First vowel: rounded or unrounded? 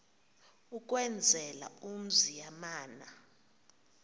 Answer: rounded